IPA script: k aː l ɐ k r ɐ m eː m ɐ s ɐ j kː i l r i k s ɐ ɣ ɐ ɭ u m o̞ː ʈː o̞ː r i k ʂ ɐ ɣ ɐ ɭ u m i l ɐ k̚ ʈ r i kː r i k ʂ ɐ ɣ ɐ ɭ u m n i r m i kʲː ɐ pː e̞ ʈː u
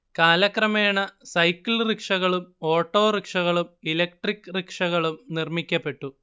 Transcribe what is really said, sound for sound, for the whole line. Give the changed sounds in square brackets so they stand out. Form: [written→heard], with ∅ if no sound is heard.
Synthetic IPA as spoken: k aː l ɐ k r ɐ m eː [m→ɳ] ɐ s ɐ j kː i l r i k [s→ʂ] ɐ ɣ ɐ ɭ u m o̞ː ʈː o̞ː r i k ʂ ɐ ɣ ɐ ɭ u m i l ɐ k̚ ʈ r i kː r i k ʂ ɐ ɣ ɐ ɭ u m n i r m i kʲː ɐ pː e̞ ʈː u